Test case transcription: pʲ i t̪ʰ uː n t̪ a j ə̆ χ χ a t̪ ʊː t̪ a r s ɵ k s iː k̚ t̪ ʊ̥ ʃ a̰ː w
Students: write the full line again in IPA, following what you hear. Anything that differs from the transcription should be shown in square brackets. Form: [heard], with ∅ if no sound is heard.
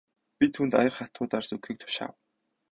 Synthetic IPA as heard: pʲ i t̪ʰ uː n t̪ a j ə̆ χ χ a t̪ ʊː t̪ a r s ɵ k [x] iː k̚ [t̪ʰ] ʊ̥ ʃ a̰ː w